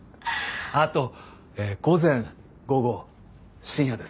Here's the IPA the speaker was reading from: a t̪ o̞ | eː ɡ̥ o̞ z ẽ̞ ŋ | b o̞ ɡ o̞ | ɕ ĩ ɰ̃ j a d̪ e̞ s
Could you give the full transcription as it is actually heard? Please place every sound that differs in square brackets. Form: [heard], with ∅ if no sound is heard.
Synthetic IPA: a t̪ o̞ | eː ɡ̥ o̞ z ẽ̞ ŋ | [ɡ] o̞ ɡ o̞ | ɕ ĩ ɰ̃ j a d̪ e̞ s